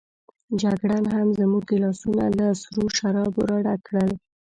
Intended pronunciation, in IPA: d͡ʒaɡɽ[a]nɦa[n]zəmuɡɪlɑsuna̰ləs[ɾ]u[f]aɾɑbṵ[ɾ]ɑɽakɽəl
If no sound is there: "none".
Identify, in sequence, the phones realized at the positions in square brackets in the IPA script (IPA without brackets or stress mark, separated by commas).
a, m, ɾ, ʃ, ɾ